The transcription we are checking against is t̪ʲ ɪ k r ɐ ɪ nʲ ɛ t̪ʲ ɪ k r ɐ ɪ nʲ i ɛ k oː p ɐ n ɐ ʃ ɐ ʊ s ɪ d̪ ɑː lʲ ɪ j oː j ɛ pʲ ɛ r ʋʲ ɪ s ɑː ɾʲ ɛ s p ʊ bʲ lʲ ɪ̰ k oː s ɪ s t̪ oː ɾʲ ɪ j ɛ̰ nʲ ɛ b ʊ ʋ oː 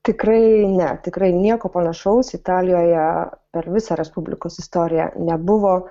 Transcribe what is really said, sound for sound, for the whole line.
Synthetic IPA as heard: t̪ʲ ɪ k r ɐ ɪ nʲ ɛ t̪ʲ ɪ k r ɐ ɪ nʲ i ɛ k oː p ɐ n ɐ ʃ ɐ ʊ s ɪ t̪ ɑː lʲ ɪ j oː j ɛ pʲ ɛ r ʋʲ ɪ s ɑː ɾʲ ɛ s p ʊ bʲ lʲ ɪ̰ k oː s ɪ s t̪ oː ɾʲ ɪ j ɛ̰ nʲ ɛ b ʊ ʋ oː